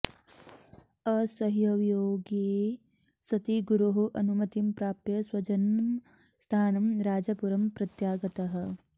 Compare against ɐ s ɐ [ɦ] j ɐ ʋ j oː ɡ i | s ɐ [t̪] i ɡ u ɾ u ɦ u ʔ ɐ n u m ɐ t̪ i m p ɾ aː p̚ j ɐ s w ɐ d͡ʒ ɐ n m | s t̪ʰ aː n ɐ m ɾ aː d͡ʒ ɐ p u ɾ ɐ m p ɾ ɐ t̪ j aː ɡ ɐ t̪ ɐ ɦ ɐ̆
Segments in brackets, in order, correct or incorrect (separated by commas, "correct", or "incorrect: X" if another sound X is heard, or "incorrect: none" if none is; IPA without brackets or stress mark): correct, correct